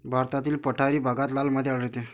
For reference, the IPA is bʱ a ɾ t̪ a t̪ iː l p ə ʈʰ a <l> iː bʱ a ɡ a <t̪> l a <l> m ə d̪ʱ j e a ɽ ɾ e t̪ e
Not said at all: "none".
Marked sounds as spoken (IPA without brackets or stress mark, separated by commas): ɾ, t̪, l